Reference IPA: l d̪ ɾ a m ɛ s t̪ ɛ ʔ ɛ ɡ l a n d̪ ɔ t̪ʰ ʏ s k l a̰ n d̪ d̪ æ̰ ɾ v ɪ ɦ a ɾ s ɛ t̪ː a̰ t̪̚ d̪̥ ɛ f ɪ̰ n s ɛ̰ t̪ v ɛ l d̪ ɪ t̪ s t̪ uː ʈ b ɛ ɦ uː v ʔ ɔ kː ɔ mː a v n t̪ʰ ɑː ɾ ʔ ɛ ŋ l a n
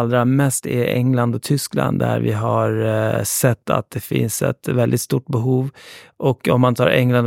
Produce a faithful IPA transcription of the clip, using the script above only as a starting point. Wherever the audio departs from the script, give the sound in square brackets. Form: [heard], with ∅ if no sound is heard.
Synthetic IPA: l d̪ ɾ a m ɛ s t̪ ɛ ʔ ɛ [ŋ] l a n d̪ ɔ t̪ʰ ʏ s k l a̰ n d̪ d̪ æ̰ ɾ v ɪ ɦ a ɾ s ɛ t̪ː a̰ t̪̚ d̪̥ ɛ f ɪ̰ n s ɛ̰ t̪ v ɛ l d̪ ɪ t̪ s t̪ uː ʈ b ɛ ɦ uː v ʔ ɔ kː ɔ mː a [∅] n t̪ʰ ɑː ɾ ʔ ɛ ŋ l a n